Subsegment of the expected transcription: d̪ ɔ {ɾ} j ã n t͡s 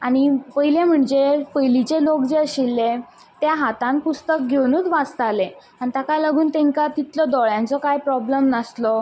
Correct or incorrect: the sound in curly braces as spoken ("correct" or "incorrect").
incorrect